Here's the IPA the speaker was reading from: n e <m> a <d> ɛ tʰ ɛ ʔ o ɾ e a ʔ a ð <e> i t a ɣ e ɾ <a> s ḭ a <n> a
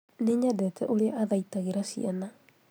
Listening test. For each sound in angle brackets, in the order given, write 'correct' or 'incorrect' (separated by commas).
incorrect, correct, incorrect, correct, correct